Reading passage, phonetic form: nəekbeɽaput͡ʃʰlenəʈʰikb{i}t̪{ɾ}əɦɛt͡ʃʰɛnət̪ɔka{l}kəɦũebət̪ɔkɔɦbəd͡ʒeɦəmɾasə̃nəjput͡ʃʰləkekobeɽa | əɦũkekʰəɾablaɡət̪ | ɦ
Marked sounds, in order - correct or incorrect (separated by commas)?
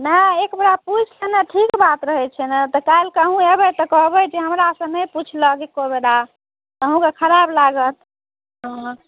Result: incorrect, correct, correct